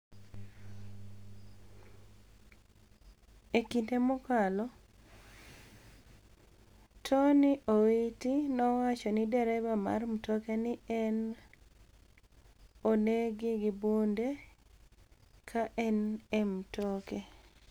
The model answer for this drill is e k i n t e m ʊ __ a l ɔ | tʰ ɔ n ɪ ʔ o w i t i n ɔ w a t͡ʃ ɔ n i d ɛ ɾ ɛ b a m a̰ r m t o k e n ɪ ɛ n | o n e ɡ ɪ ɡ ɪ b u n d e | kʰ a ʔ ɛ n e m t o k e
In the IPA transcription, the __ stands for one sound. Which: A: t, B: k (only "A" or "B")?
B